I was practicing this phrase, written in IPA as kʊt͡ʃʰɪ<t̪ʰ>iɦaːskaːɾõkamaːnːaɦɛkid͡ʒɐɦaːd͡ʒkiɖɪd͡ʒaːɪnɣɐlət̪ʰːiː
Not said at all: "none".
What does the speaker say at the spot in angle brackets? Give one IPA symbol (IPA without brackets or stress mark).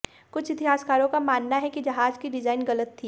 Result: t̪